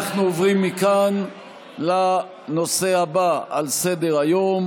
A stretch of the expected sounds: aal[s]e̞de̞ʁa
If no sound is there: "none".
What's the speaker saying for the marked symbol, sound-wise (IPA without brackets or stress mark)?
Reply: s